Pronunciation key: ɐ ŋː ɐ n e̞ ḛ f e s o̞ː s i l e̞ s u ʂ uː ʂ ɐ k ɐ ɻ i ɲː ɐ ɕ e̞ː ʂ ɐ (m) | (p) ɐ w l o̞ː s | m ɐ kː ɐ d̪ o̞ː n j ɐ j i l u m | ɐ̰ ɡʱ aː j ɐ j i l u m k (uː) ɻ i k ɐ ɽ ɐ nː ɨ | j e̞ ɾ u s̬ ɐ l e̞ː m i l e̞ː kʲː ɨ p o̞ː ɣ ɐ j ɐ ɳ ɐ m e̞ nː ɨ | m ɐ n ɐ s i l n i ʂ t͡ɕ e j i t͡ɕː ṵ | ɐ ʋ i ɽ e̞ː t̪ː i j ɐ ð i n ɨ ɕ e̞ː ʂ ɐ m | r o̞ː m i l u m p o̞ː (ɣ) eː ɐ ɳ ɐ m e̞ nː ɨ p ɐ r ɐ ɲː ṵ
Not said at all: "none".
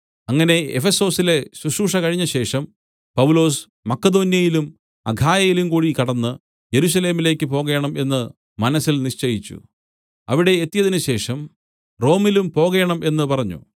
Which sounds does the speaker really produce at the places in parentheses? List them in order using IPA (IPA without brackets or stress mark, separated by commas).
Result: m, p, uː, ɣ